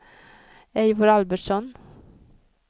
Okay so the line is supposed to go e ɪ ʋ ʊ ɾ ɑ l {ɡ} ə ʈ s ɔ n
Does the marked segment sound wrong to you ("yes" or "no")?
yes